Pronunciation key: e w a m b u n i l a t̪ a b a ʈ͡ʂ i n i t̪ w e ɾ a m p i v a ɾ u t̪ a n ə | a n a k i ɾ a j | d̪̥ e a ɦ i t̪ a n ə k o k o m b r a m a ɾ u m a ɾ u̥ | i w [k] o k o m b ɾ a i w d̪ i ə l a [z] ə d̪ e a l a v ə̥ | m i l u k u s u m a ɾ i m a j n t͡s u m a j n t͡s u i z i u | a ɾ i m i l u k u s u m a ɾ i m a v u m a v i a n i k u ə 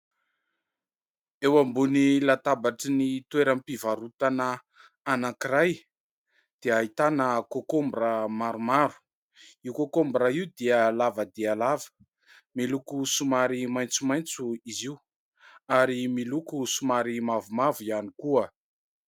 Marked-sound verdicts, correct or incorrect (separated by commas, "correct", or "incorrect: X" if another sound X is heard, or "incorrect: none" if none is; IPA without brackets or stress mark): correct, incorrect: v